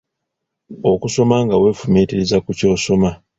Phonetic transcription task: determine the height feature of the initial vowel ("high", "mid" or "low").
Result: mid